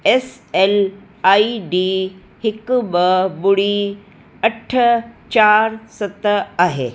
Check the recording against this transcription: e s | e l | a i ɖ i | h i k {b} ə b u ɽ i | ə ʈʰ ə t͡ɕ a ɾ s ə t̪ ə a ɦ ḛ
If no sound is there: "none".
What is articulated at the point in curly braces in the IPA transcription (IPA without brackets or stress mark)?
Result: b